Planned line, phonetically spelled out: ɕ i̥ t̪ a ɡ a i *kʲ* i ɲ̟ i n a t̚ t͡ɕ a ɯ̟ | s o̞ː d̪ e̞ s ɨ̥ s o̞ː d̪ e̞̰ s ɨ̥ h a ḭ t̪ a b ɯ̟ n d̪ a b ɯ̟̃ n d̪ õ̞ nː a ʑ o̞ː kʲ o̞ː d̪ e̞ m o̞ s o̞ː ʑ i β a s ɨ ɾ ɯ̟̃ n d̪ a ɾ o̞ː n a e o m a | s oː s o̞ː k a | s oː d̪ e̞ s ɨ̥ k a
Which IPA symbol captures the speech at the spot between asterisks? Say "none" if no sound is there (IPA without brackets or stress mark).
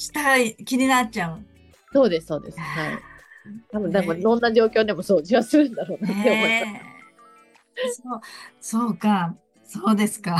kʲ